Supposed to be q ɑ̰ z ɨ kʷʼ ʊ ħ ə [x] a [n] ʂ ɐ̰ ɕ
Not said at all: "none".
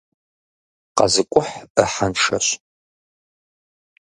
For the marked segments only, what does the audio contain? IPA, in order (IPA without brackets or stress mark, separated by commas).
ħ, n